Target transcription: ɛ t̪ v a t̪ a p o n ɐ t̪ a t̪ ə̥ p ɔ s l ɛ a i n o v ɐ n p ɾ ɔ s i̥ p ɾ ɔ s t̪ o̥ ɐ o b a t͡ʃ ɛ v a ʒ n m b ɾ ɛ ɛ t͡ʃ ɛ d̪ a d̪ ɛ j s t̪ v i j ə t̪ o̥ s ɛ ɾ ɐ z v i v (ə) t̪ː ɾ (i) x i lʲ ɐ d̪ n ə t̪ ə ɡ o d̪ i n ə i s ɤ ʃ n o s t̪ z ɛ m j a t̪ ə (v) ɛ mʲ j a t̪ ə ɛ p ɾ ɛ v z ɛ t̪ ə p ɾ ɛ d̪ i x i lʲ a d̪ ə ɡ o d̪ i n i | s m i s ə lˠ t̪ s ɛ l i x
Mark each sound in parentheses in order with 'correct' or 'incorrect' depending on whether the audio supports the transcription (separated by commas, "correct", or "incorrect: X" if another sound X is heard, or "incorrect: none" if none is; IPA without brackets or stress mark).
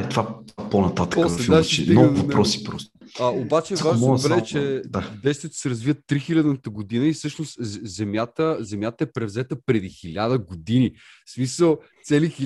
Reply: correct, correct, incorrect: z